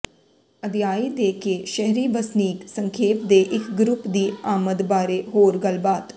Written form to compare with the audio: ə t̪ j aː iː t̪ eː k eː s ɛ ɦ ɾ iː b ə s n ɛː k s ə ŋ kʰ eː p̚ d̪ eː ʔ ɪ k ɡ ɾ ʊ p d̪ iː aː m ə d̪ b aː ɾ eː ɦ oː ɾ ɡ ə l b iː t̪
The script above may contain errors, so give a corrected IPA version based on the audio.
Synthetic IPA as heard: ə d̪ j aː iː d̪ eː k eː ʃ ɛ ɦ ɾ iː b ə s n iː k s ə ŋ kʰ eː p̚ d̪ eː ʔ ɪ k ɡ ɾ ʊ p d̪ iː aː m ə d̪ b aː ɾ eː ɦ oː ɾ ɡ ə l b aː t̪